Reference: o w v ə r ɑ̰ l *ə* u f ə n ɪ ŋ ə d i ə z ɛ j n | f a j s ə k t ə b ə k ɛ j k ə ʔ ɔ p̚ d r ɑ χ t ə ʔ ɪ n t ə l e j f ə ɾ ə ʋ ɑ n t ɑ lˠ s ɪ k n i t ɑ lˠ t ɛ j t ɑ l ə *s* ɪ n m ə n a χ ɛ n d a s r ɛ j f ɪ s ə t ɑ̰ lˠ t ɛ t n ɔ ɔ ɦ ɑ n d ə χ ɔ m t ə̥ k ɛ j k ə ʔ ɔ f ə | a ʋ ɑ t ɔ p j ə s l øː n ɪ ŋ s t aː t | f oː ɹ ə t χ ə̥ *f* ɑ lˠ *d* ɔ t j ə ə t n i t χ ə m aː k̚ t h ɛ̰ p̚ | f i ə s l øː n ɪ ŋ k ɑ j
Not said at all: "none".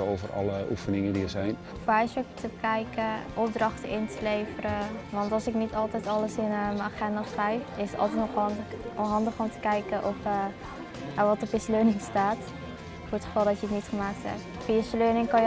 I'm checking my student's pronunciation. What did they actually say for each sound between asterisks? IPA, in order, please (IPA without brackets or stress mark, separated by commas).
ə, s, f, d